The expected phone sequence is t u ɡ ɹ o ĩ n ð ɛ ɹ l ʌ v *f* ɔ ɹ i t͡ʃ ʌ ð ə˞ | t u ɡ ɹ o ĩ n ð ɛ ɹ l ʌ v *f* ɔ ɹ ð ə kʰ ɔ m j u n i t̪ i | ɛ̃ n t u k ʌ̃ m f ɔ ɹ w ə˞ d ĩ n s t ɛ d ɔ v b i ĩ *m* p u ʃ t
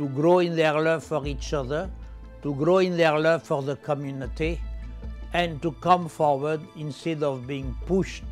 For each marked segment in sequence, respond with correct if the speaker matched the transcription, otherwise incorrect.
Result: correct, correct, incorrect

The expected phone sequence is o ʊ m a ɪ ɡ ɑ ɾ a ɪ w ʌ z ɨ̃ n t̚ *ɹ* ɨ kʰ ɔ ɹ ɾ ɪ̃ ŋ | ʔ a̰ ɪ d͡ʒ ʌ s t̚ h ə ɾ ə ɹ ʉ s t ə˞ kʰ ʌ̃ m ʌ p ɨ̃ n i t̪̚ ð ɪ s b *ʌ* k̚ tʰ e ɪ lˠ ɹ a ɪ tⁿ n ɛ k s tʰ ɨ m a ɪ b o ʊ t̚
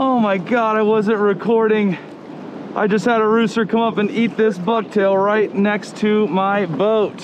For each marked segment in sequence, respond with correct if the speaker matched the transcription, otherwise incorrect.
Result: correct, correct

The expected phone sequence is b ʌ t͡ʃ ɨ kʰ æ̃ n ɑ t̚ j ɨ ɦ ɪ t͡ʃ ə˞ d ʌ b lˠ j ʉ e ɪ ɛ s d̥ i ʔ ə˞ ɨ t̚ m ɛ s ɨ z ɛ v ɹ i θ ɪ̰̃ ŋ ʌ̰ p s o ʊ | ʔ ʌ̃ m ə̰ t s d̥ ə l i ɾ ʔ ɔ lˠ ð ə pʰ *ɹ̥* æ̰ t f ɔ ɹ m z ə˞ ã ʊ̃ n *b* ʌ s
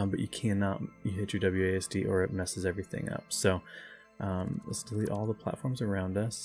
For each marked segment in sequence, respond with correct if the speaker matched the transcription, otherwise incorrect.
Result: incorrect, incorrect

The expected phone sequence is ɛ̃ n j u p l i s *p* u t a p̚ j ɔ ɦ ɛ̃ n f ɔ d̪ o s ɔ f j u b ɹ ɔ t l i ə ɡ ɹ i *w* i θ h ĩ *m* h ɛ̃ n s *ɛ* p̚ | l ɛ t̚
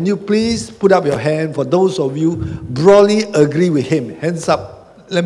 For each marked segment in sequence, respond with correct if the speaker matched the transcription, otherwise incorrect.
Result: correct, correct, correct, incorrect

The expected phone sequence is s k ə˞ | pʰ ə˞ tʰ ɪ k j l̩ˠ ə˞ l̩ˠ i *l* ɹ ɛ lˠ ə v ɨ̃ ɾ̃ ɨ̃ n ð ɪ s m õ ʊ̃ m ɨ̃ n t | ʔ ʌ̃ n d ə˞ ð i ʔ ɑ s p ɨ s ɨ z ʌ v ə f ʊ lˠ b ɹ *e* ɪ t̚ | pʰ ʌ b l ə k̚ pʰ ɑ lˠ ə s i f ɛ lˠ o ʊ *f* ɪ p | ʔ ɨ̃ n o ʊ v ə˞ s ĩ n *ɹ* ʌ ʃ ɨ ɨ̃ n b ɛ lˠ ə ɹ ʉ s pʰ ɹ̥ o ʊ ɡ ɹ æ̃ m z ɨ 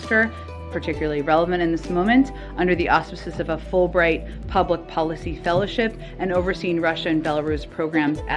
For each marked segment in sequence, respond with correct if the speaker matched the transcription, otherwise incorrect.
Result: incorrect, incorrect, incorrect, correct

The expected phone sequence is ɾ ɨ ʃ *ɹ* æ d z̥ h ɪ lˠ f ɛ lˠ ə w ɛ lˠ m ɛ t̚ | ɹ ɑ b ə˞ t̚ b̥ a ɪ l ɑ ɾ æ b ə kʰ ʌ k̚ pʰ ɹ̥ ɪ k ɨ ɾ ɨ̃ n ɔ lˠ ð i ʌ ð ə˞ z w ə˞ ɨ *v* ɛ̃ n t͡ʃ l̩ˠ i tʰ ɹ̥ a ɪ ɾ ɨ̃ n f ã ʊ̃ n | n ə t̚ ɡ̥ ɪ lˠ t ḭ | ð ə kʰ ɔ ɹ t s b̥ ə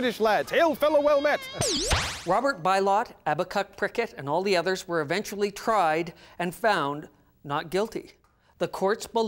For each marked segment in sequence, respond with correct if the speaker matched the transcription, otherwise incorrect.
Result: incorrect, correct

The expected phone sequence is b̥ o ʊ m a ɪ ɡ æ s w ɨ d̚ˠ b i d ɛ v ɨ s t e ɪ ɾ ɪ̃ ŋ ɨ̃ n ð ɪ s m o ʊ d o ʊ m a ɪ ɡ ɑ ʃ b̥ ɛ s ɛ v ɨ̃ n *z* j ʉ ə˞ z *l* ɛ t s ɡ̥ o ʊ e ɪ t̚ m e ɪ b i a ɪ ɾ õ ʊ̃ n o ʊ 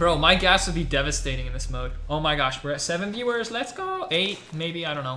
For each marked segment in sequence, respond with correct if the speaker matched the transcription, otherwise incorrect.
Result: incorrect, correct

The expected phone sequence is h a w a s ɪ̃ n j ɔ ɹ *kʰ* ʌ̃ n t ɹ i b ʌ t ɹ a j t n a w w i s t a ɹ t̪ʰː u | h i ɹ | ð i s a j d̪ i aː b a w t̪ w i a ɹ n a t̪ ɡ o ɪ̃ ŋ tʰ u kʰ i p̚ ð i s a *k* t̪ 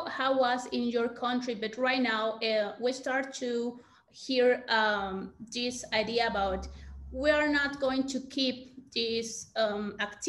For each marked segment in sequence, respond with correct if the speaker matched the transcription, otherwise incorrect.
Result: correct, correct

